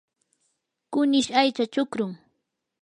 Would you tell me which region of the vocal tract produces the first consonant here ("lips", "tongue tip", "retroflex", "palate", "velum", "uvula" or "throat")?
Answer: velum